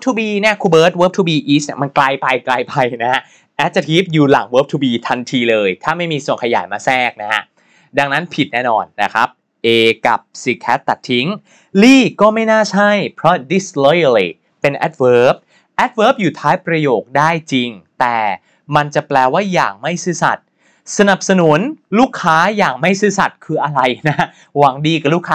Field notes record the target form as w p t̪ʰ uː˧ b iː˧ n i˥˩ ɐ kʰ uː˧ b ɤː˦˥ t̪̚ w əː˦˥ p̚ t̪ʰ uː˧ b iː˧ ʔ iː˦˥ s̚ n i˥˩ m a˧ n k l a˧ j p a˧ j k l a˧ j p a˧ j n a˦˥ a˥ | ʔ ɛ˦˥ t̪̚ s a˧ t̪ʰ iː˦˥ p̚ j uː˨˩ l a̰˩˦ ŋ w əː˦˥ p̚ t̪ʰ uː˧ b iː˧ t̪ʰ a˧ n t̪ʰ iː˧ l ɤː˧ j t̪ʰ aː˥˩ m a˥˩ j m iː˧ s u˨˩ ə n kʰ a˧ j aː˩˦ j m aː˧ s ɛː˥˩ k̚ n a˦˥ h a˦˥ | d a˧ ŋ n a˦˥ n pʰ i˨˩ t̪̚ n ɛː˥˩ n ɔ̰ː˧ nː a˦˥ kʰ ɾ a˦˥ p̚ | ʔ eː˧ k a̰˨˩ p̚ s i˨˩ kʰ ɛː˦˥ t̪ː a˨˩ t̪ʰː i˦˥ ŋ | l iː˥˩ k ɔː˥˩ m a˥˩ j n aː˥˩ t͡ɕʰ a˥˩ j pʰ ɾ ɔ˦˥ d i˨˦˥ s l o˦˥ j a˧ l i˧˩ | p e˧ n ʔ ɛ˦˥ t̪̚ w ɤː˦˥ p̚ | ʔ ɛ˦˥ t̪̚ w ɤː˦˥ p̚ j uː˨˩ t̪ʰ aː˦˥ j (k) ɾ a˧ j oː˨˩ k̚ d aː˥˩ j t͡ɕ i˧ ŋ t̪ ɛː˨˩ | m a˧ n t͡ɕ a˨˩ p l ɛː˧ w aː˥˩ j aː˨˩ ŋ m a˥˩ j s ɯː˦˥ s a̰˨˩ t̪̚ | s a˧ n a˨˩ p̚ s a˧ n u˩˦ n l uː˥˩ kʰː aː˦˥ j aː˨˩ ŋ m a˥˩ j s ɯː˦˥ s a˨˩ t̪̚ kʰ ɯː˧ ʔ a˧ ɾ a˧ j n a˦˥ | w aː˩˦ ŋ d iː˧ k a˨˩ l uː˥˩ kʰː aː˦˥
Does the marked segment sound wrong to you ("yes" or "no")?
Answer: yes